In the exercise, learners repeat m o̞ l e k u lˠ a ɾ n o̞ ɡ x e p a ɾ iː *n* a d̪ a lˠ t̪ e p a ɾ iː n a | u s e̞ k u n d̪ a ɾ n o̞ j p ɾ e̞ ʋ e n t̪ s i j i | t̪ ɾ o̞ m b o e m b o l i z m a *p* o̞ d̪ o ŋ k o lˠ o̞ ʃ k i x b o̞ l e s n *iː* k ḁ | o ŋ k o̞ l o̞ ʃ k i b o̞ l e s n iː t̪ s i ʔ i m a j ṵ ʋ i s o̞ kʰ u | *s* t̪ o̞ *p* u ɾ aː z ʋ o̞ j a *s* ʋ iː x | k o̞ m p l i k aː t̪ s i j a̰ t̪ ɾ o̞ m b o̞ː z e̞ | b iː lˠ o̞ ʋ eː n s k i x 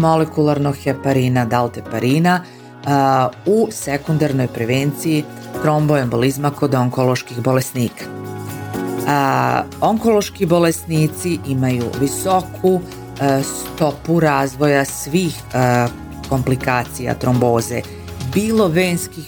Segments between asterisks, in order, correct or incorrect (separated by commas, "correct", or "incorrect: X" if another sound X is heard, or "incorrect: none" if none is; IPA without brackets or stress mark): correct, incorrect: k, correct, correct, correct, correct